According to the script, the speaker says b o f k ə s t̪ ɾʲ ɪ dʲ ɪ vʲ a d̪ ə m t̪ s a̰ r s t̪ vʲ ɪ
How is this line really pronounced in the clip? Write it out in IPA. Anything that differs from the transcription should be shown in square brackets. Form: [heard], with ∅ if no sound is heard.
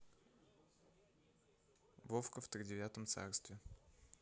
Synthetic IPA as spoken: [v] o f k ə [f] t̪ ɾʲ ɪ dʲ ɪ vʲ a [t̪] ə m t̪ s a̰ r s t̪ vʲ ɪ